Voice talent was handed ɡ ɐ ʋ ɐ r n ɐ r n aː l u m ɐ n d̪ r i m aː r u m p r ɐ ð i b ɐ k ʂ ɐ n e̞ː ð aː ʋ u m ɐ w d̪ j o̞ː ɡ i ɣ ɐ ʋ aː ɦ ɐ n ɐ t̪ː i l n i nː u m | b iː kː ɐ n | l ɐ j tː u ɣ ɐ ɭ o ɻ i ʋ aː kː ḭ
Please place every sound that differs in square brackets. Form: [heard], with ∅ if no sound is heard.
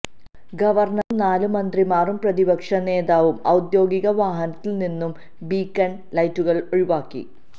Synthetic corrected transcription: ɡ ɐ ʋ ɐ r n ɐ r n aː l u m ɐ n d̪ r i m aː r u m p r ɐ ð i b ɐ k ʂ ɐ n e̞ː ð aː ʋ u m ɐ w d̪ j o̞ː ɡ i ɣ ɐ ʋ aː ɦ ɐ n ɐ t̪ː i l n i nː u m | b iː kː ɐ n | l ɐ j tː u ɣ ɐ ɭ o ɻ i ʋ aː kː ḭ